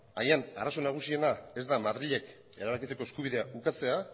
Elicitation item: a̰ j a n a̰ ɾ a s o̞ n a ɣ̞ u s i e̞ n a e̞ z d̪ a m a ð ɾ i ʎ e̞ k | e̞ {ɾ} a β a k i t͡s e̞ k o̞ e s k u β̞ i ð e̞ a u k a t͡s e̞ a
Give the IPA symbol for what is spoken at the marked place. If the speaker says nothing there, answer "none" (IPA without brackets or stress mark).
ɾ